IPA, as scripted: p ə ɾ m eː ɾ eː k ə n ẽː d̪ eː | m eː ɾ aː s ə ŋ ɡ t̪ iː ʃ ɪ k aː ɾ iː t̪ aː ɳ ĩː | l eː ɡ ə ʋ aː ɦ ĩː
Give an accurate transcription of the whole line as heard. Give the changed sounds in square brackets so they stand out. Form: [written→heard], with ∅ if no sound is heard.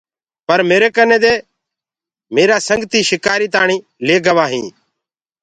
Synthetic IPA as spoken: p ə ɾ m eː ɾ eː k ə n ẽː d̪ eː | m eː ɾ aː s ə ŋ ɡ t̪ iː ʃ ɪ k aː ɾ iː t̪ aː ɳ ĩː | l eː ɡ ə ʋ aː ɦ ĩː